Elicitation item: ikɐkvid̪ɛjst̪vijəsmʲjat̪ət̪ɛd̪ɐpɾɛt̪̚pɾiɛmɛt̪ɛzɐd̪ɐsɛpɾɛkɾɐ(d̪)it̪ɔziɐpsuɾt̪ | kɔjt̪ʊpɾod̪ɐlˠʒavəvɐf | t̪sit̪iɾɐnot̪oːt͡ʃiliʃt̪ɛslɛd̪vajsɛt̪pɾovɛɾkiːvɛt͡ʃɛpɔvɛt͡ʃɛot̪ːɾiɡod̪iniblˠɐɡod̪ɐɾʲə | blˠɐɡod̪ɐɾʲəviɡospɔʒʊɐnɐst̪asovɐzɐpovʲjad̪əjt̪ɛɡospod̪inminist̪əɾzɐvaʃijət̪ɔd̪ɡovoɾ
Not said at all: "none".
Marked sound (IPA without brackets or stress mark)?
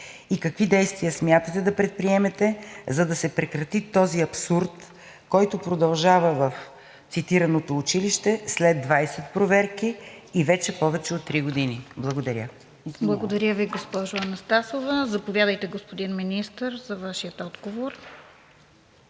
t̪